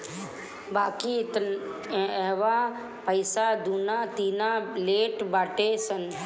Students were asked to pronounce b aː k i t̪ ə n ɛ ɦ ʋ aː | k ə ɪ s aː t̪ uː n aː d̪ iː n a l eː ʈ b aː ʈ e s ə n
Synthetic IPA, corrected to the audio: b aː k i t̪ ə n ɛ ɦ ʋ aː | p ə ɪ s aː d̪ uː n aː t̪ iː n a l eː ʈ b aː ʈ e s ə n